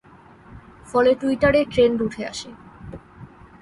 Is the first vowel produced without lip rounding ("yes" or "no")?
no